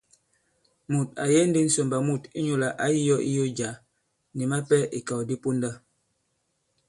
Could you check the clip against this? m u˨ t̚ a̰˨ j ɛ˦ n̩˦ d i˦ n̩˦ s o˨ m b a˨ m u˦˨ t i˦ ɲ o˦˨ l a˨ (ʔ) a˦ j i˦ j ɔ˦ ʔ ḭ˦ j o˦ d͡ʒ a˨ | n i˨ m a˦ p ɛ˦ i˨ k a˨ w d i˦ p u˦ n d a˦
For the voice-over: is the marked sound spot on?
yes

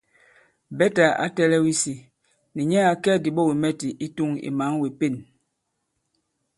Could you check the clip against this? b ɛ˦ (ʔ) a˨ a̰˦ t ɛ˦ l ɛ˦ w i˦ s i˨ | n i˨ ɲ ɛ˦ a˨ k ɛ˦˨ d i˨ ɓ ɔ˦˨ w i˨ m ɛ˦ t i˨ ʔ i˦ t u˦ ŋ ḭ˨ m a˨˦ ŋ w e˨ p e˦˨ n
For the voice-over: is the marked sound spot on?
no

